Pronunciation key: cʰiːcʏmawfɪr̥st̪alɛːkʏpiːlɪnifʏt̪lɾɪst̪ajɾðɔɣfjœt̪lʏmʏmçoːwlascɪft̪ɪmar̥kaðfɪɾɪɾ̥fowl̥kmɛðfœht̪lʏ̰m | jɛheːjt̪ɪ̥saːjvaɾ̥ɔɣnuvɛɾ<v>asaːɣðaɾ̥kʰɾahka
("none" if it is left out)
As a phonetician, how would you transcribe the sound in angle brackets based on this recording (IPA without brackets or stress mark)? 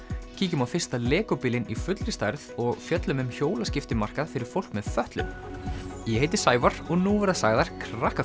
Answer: ð